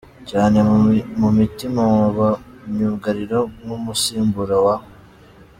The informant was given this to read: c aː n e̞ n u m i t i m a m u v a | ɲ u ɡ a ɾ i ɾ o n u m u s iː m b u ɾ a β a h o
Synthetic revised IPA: c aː n e̞ m u m i t i m a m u β a | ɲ u ɡ a ɾ i ɾ o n u m u s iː m b u ɾ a w a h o